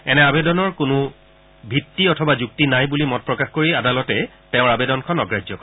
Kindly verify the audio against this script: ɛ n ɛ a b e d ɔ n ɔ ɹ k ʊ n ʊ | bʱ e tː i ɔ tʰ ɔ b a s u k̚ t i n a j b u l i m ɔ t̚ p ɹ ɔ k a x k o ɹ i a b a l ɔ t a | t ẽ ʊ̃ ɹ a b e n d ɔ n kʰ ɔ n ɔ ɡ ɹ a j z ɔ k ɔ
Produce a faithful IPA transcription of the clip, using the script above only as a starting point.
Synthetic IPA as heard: ɛ n ɛ a b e d ɔ n ɔ ɹ k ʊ n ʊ | bʱ i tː i ɔ tʰ ɔ b a z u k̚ t i n a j b u l i m ɔ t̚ p ɹ ɔ k a x k o ɹ i a d a l ɔ t ɛ | t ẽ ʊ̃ ɹ a b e d ɔ n kʰ ɔ n ɔ ɡ ɹ a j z ɔ k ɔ

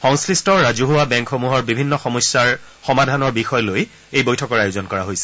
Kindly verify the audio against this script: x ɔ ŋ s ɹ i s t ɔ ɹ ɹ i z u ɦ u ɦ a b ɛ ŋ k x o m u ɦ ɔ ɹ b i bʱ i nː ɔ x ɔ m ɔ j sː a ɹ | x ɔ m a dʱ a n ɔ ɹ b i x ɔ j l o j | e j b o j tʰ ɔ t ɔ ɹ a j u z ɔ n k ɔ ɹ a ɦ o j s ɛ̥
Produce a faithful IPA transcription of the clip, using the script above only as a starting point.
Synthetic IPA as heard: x ɔ ŋ s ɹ i s t ɔ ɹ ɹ a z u ɦ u a b ɛ ŋ k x o m u ɦ ɔ ɹ b i bʱ i nː ɔ x ɔ m ɔ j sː a ɹ | x ɔ m a dʱ a n ɔ ɹ b i x ɔ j l o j | e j b o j tʰ ɔ k ɔ ɹ a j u z ɔ n k ɔ ɹ a ɦ o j s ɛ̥

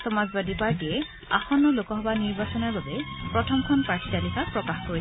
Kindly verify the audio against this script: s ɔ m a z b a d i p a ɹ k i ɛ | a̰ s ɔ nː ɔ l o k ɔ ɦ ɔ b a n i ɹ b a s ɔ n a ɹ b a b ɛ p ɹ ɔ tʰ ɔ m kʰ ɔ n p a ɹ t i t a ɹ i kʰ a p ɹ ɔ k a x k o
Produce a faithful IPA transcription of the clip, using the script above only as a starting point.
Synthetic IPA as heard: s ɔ m a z b a d i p a ɹ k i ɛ | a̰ x ɔ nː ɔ l o k ɔ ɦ ɔ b a n i ɹ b a s ɔ n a ɹ b a b ɛ p ɹ ɔ tʰ ɔ m kʰ ɔ n p a ɹ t i t a l i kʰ a p ɹ ɔ k a x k o

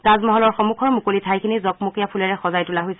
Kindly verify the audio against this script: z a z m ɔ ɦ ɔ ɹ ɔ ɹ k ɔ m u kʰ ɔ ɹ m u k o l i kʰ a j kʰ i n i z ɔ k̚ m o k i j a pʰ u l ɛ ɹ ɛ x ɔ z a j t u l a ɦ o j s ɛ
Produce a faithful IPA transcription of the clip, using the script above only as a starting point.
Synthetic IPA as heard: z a z m ɔ ɦ ɔ l ɔ ɹ x ɔ m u kʰ ɔ ɹ m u k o l i tʰ a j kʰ i n i z ɔ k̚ m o k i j a pʰ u l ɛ ɹ ɛ x ɔ z a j t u l a ɦ o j s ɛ

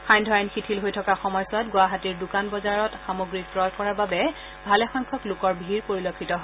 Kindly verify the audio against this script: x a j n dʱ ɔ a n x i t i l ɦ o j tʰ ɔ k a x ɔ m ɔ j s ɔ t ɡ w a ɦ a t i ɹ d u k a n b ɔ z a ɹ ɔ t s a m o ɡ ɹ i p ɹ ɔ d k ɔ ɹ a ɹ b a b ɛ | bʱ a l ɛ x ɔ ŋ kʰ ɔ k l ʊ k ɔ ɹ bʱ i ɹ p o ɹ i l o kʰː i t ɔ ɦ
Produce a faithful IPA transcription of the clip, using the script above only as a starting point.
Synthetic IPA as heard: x a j n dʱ ɔ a n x i tʰ i l ɦ o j tʰ ɔ k a x ɔ m ɔ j s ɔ t ɡ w a ɦ a t i ɹ d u k a n b ɔ z a ɹ ɔ t x a m o ɡ ɹ i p ɹ ɔ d k ɔ ɹ a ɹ b a b ɛ | bʱ a l ɛ x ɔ ŋ kʰ ɔ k l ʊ k ɔ ɹ bʱ i ɹ p o ɹ i l o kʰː i t ɔ ɦ

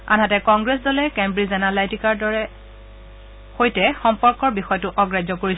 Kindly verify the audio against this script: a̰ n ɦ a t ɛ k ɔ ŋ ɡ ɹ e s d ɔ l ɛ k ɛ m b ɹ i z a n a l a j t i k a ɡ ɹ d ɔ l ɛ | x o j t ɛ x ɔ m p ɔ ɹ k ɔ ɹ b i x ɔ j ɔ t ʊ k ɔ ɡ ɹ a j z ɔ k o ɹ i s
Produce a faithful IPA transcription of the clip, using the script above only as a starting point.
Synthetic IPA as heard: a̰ n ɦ a t ɛ k ɔ ŋ ɡ ɹ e s d ɔ l ɛ k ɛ m b ɹ i z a n a l a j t i k a ɹ d ɔ ɹ ɛ | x o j t ɛ x ɔ m p ɔ ɹ k ɔ ɹ b i x ɔ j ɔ t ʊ ʔ ɔ ɡ ɹ a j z ɔ k o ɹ i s

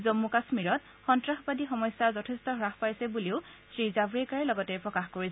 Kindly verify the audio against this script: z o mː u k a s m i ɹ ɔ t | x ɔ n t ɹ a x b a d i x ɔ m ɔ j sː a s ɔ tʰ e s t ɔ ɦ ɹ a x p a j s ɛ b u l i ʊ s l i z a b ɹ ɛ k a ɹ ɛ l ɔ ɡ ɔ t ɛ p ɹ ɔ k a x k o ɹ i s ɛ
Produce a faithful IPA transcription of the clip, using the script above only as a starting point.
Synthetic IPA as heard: z o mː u k a s m i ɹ ɔ t | x ɔ n t ɹ a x b a d i x ɔ m ɔ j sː a z ɔ tʰ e s t ɔ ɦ ɹ a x p a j s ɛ b u l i ʊ s ɹ i z a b ɹ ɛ k a ɹ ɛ l ɔ ɡ ɔ t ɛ p ɹ ɔ k a x k o ɹ i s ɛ

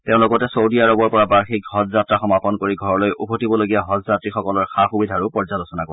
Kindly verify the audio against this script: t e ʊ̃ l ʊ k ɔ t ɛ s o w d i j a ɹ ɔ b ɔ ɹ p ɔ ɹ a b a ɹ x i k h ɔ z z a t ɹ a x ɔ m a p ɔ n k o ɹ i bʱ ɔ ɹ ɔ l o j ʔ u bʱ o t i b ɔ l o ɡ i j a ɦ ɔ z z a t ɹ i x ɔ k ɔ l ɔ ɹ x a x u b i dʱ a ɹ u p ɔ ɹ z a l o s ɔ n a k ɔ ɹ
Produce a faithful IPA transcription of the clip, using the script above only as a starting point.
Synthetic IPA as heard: t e ʊ̃ l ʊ k ɔ t ɛ s o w d i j a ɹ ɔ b ɔ ɹ p ɔ ɹ a b a ɹ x i k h ɔ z z a t ɹ a x ɔ m a p ɔ n k o ɹ i ɡʱ ɔ ɹ ɔ l o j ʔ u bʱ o t i b ɔ l o ɡ i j a ɦ ɔ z z a t ɹ i x ɔ k ɔ l ɔ ɹ x a x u b i dʱ a ɹ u p ɔ ɹ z a l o s ɔ n a k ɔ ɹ

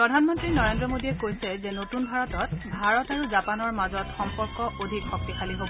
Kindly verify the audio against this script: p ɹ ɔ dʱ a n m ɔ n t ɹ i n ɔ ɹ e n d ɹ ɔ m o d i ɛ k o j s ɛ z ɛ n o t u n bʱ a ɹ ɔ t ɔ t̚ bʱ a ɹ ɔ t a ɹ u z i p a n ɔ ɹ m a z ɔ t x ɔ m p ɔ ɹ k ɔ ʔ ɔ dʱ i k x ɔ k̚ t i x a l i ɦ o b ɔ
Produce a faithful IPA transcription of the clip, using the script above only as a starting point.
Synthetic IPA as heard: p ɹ ɔ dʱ a n m ɔ n t ɹ i n ɔ ɹ e n d ɹ ɔ m o d i ɛ k o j s ɛ z ɛ n o t u n bʱ a ɹ ɔ t ɔ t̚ bʱ a ɹ ɔ t a ɹ u z a p a n ɔ ɹ m a z ɔ t x ɔ m p ɔ ɹ k ɔ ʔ o dʱ i k x ɔ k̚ t i x a l i ɦ o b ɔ

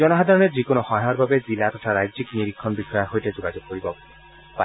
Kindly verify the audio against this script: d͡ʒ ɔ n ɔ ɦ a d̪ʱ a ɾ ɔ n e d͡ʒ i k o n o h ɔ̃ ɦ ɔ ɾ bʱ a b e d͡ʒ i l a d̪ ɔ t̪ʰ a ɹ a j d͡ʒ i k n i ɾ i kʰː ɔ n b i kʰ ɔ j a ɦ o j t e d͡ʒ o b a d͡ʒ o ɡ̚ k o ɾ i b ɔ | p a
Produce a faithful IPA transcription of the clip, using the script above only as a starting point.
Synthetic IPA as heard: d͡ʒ ɔ n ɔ ɦ a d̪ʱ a ɾ ɔ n e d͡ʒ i k o n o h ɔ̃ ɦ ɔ ɾ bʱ a b e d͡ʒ i l a t̪ ɔ t̪ʰ a ɾ a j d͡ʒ i k n i ɾ i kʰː ɔ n b i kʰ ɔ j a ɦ o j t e d͡ʒ o ɡ a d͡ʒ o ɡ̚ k o ɾ i b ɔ | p a

